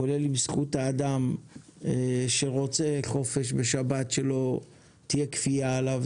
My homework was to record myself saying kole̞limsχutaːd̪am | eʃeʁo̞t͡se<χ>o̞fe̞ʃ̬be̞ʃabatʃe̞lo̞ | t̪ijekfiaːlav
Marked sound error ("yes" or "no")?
no